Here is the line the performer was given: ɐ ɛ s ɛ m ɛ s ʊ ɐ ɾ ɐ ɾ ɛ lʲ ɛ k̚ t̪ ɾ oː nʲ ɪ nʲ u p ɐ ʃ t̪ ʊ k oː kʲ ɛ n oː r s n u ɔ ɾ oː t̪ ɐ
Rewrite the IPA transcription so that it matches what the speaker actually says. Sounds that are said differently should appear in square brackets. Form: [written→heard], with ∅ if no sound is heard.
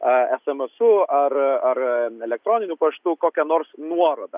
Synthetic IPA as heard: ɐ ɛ s ɛ m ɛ s ʊ ɐ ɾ ɐ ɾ ɛ lʲ ɛ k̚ t̪ ɾ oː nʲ ɪ nʲ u p ɐ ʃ t̪ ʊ k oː kʲ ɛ n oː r s n u ɔ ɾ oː [t̪→d̪] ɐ